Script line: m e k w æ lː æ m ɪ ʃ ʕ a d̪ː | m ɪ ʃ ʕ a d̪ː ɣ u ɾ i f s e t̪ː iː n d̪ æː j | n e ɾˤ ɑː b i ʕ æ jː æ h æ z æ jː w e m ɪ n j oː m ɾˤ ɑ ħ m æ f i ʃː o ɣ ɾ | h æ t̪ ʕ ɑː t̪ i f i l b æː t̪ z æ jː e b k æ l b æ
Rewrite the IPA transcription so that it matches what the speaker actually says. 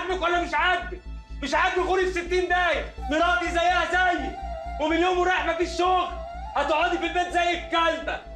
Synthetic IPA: m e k w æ lː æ m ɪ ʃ ʕ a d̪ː | m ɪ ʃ ʕ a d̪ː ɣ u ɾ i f s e t̪ː iː n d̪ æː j | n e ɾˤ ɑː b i z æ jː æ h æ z æ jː w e m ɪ n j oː m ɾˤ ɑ ħ m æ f i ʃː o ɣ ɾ | h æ t̪ ʕ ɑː d̪ i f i l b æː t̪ z æ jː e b k æ l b æ